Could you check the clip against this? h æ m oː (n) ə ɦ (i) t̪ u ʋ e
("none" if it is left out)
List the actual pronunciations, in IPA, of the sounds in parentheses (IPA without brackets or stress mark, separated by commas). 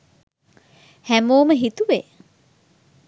m, i